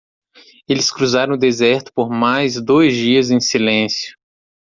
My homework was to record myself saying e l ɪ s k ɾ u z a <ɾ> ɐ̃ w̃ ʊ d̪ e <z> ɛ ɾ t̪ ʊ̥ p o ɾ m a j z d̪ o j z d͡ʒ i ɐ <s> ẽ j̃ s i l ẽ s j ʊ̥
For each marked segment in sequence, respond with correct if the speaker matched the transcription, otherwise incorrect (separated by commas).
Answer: correct, correct, incorrect